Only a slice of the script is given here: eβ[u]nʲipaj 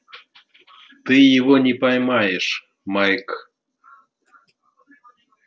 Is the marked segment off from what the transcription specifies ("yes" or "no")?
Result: yes